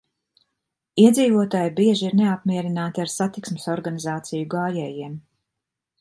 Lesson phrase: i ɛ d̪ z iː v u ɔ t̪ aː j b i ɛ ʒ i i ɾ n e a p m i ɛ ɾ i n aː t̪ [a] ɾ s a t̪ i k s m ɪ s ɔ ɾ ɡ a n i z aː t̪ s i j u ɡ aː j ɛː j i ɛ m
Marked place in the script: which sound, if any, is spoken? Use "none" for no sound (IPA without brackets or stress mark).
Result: a